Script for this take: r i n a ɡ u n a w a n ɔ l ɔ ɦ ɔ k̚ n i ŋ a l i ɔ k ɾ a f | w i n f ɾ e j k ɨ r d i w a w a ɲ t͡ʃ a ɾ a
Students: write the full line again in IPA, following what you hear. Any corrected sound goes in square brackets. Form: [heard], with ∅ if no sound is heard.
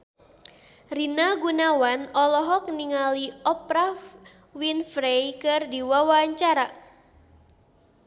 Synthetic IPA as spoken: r i n a ɡ u n a w a n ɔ l ɔ ɦ ɔ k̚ n i ŋ a l i ɔ [p] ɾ a f | w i n f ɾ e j k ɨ r d i w a w a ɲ t͡ʃ a ɾ a